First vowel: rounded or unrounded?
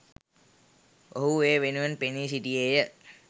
rounded